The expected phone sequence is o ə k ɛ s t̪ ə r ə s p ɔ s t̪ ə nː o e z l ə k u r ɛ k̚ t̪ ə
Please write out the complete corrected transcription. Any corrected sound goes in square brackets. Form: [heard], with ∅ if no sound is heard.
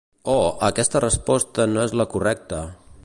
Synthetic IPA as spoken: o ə k ɛ s t̪ ə r ə s p ɔ s t̪ ə [n] o e z l ə k u r ɛ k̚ t̪ ə